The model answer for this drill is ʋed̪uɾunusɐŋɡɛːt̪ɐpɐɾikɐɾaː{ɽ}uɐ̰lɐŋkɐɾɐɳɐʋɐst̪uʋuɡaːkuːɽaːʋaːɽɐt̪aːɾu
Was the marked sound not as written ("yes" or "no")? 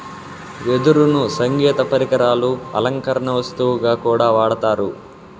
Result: yes